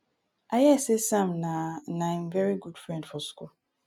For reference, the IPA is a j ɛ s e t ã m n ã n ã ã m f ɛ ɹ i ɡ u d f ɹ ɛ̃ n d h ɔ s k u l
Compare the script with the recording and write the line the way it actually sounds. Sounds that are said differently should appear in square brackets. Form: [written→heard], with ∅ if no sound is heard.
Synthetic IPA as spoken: a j ɛ s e [t→s] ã m n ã n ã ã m [f→v] ɛ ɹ i ɡ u d f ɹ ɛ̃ n d [h→f] ɔ s k u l